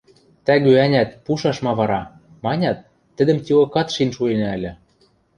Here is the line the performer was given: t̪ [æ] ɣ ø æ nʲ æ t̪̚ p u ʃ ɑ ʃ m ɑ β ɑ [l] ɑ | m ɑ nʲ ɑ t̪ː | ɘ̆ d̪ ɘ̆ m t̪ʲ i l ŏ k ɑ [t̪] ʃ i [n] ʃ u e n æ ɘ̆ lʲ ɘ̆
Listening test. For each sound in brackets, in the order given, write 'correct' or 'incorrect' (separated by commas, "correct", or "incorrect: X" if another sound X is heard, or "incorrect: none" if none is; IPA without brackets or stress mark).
correct, incorrect: ɾ, correct, correct